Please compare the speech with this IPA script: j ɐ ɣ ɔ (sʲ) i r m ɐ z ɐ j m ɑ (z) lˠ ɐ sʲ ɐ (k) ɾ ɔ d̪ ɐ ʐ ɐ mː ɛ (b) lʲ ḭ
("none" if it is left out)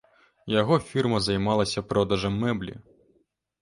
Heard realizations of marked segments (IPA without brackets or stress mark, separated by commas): fʲ, none, p, b